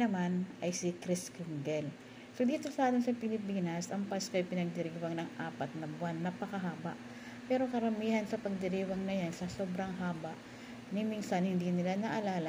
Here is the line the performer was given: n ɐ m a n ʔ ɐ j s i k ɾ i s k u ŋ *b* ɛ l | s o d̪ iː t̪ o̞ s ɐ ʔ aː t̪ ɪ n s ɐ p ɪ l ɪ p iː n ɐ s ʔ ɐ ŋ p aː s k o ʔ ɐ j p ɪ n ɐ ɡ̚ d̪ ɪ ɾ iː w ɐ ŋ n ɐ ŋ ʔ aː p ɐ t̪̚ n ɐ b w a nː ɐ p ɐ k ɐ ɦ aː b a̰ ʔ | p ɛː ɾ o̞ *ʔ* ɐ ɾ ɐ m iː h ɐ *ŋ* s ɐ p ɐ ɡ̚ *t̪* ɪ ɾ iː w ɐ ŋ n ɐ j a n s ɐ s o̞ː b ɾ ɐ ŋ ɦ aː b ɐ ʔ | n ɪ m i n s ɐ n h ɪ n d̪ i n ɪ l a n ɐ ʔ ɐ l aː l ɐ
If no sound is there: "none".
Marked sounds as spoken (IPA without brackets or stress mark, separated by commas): ɡ, k, n, d̪